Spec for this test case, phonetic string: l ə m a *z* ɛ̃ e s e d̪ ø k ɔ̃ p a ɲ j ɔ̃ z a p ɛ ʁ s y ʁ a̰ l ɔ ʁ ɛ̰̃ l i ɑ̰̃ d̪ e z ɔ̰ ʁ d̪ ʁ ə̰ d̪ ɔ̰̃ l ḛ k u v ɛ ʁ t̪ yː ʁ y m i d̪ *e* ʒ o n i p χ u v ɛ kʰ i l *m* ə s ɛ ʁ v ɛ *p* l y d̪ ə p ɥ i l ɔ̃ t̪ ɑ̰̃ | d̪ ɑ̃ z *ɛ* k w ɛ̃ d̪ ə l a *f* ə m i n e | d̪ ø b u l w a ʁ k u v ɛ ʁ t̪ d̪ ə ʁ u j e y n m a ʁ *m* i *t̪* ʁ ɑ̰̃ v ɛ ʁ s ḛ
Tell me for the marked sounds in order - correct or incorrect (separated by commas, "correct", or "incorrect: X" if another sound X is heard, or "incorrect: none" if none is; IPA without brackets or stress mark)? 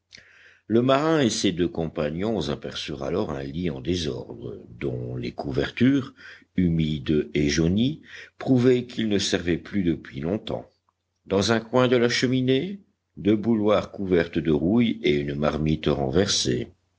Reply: incorrect: ʁ, correct, incorrect: n, correct, incorrect: ɛ̃, incorrect: ʃ, correct, correct